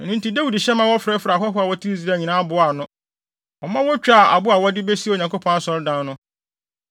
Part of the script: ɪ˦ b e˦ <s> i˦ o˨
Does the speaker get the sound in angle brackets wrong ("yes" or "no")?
no